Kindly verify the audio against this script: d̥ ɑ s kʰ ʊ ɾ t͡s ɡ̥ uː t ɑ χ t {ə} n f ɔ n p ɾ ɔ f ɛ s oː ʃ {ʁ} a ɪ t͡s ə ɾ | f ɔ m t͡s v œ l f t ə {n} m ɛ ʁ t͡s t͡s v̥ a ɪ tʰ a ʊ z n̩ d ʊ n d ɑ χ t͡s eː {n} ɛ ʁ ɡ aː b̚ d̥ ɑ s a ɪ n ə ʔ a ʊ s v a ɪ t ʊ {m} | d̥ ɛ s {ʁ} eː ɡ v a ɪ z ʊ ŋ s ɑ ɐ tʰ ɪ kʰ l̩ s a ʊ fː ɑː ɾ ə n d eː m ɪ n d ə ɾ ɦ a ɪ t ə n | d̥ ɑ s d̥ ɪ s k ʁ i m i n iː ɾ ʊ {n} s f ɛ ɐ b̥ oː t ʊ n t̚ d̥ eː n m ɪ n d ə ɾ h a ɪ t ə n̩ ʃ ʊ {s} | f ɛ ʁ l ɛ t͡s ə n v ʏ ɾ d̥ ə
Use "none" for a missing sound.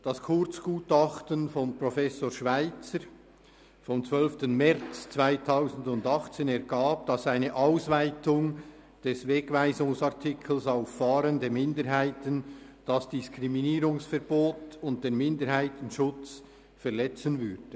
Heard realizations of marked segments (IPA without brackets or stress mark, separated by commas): ə, v, n, n, ŋ, v, ŋ, t͡s